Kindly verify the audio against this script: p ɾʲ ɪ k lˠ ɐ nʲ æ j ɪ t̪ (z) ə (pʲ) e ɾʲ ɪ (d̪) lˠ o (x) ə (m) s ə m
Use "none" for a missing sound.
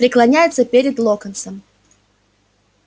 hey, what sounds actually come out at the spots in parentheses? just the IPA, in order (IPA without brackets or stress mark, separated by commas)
s, pʲ, d̪, k, n